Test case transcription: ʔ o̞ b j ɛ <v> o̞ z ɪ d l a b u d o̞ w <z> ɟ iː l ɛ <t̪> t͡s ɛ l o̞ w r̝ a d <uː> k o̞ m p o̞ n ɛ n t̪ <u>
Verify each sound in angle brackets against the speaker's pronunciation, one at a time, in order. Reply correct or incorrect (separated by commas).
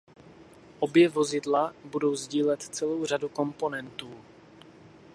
correct, correct, correct, incorrect, incorrect